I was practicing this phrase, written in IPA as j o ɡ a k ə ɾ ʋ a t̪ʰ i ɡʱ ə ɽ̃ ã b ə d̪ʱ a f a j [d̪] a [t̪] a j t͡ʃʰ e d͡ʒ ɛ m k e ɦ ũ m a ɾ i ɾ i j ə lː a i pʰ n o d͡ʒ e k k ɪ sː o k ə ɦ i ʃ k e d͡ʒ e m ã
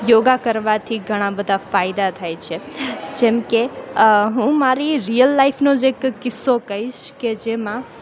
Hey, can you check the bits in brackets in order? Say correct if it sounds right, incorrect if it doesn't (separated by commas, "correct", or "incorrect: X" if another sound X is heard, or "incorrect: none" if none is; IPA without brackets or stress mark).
correct, incorrect: t̪ʰ